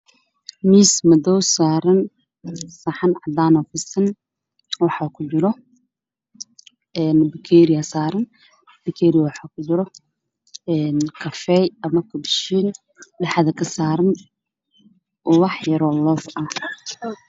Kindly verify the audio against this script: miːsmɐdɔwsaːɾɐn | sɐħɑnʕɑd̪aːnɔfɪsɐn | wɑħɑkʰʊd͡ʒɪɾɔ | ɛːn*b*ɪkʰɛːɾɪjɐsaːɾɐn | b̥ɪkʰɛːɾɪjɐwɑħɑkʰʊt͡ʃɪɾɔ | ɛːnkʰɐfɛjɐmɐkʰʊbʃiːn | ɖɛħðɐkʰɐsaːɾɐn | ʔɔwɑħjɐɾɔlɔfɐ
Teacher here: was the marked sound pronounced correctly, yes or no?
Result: yes